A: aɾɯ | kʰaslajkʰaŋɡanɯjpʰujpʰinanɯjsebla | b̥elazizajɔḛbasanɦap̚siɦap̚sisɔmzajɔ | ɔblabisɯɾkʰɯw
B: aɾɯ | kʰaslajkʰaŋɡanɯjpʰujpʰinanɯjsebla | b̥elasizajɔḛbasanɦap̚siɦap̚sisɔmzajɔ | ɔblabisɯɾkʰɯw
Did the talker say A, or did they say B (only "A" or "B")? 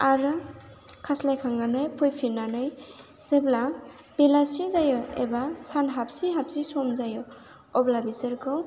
B